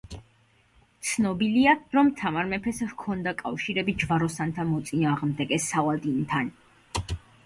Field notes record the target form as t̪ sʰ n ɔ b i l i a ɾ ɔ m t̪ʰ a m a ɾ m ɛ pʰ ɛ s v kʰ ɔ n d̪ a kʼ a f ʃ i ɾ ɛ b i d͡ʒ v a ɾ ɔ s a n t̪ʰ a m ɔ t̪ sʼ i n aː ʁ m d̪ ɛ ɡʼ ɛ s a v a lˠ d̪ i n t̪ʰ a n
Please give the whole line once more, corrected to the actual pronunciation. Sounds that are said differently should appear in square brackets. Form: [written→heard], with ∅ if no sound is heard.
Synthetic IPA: t̪ sʰ n ɔ b i l i a ɾ ɔ m t̪ʰ a m a ɾ m ɛ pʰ ɛ s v kʰ ɔ n d̪ a kʼ a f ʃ i ɾ ɛ b i d͡ʒ v a ɾ ɔ s a n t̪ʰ a m ɔ t̪ sʼ i n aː ʁ m d̪ ɛ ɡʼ ɛ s a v a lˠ d̪ i n t̪ʰ a n